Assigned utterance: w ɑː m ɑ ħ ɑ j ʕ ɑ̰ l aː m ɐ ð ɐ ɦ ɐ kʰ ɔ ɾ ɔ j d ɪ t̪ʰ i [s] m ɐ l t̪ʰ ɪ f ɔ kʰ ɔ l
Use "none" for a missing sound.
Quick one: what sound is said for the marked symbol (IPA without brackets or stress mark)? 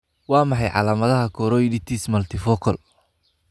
s